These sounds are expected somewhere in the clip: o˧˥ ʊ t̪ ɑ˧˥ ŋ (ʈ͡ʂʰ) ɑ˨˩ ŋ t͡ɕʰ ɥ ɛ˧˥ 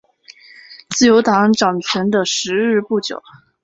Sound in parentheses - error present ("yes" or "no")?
yes